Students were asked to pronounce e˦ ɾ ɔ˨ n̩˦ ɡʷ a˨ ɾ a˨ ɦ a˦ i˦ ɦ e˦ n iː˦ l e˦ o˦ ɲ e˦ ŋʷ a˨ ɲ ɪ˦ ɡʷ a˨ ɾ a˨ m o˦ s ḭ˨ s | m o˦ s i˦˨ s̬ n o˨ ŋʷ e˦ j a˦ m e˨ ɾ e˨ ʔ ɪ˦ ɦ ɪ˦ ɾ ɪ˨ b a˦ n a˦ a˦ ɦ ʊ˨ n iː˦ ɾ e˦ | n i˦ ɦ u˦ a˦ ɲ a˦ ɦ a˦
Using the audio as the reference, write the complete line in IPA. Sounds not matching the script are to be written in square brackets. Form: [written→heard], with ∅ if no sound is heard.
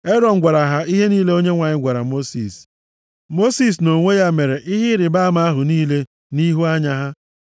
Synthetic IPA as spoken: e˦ ɾ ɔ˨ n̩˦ ɡʷ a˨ ɾ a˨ ɦ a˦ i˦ ɦ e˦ n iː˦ l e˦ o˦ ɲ e˦ ŋʷ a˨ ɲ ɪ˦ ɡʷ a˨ ɾ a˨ m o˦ s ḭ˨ s | m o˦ s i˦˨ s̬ n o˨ ŋʷ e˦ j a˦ m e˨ ɾ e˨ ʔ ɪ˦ ɦ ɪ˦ ɾ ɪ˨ b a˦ [n→m] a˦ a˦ ɦ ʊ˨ n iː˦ [ɾ→l] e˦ | n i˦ ɦ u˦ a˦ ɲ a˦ ɦ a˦